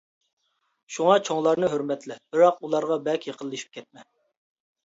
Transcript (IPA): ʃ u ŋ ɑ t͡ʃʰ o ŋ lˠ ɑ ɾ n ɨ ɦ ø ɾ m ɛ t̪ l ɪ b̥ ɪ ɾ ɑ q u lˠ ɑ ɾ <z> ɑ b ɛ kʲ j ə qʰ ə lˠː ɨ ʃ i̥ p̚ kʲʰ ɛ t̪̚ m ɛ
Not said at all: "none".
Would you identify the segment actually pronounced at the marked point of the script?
ʁ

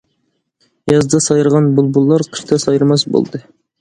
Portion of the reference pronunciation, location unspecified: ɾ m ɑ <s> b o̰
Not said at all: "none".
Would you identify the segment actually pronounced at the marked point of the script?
s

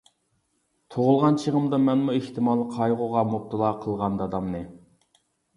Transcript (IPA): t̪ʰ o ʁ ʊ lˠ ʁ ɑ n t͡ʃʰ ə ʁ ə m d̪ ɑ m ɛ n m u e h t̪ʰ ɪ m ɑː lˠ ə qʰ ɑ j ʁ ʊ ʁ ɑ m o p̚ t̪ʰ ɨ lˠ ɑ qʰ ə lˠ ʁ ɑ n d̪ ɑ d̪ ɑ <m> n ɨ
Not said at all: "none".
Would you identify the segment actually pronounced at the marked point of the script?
m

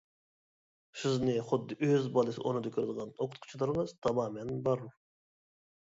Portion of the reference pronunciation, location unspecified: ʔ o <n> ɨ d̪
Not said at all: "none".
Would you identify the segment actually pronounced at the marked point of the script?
n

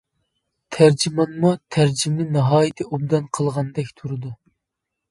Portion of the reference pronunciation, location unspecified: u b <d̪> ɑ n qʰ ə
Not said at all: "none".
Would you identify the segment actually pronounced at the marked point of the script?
d̪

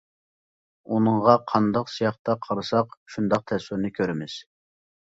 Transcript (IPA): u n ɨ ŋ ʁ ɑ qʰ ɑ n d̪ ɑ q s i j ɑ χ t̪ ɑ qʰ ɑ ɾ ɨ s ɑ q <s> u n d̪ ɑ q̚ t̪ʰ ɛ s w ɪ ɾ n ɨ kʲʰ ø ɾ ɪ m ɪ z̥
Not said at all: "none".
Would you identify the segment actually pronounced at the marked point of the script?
ʃ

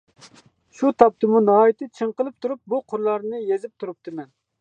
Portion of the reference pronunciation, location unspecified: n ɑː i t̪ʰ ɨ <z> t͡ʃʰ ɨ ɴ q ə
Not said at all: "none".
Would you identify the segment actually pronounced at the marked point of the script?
none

